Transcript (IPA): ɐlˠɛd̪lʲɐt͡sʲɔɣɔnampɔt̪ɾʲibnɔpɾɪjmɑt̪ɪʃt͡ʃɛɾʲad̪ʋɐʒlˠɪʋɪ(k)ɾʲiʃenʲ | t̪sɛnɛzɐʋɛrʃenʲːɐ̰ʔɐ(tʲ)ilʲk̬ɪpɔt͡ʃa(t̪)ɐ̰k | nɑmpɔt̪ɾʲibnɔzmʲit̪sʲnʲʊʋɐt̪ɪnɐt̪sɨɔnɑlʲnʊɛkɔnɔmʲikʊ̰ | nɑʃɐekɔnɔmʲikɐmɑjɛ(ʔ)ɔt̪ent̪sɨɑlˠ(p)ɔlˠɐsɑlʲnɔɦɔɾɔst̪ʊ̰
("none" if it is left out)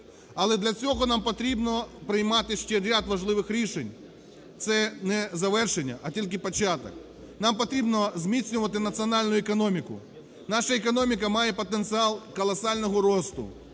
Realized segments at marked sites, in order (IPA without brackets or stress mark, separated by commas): x, tʲ, t̪, p, k